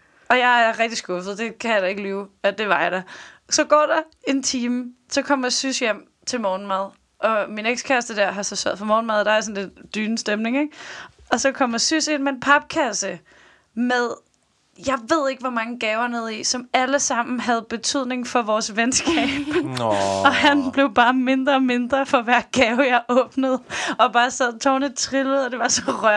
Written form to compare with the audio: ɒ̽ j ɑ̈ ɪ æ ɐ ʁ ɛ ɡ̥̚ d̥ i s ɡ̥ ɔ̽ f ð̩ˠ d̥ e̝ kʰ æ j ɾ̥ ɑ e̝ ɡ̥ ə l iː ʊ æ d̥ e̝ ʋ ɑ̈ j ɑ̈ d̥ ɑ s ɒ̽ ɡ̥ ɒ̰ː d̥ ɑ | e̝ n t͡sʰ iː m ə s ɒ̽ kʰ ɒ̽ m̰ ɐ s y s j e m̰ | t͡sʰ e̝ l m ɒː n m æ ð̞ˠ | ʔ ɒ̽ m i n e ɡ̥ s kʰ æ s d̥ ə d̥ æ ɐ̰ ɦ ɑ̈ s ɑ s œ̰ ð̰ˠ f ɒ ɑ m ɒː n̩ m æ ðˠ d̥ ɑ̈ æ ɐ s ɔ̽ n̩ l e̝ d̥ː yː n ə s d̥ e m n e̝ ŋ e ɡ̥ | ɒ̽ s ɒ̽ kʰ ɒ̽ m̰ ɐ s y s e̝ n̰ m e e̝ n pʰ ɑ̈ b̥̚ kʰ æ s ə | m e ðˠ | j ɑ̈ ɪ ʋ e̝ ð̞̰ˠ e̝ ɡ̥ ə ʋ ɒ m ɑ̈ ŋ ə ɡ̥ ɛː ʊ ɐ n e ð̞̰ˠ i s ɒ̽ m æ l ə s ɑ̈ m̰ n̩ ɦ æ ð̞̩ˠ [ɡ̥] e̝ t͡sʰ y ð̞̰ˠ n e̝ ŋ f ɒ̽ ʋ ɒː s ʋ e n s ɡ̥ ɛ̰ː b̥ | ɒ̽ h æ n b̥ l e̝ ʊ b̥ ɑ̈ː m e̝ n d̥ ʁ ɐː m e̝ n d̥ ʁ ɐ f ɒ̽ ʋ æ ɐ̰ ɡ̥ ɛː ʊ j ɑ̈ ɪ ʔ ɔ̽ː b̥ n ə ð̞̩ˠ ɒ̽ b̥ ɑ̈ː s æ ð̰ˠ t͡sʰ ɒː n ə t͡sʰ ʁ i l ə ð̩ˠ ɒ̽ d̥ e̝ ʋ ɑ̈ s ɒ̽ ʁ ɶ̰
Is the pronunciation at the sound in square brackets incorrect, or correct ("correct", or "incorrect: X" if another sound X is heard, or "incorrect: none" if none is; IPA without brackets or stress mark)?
incorrect: b̥